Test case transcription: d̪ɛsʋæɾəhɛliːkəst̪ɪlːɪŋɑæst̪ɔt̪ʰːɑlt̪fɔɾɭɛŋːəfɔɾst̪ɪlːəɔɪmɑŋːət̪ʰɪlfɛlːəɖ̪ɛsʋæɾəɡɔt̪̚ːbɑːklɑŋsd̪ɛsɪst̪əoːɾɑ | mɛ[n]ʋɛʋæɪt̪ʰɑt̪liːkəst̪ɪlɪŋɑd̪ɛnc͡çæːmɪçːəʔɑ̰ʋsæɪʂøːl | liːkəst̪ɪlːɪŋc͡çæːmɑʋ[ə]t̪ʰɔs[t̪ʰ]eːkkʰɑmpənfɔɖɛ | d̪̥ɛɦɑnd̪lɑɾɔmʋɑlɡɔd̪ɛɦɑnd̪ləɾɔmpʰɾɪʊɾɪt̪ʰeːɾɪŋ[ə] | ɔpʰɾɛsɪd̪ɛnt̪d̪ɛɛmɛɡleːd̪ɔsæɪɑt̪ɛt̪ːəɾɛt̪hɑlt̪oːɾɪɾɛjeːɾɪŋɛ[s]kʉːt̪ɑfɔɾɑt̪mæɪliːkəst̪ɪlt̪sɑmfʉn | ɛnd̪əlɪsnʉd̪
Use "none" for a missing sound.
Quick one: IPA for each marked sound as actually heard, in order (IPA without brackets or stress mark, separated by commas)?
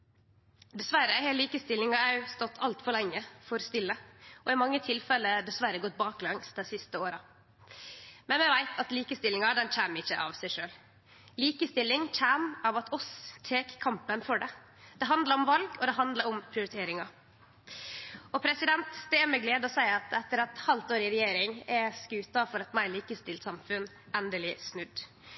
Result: n, ɑ, t̪ʰ, ɑ, s